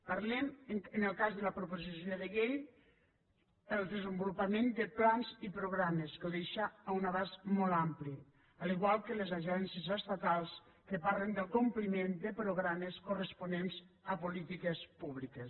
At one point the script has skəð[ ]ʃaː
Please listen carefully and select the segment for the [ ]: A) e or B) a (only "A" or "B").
A